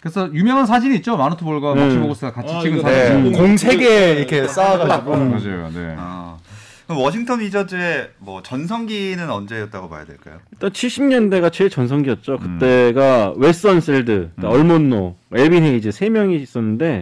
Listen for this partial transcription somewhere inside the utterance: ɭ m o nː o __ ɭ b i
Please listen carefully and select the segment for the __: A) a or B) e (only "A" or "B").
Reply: B